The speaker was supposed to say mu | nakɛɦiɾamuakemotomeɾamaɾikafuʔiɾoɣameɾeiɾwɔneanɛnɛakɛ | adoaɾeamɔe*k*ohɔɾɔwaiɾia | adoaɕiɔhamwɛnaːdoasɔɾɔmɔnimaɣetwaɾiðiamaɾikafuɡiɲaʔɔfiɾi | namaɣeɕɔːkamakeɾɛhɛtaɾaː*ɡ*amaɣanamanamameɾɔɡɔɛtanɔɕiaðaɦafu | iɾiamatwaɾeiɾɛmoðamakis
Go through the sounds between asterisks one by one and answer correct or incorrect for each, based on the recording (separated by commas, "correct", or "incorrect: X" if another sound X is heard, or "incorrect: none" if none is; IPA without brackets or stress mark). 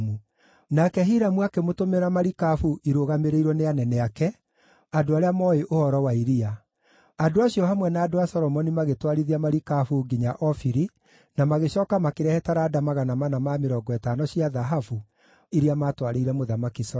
incorrect: ʔ, incorrect: d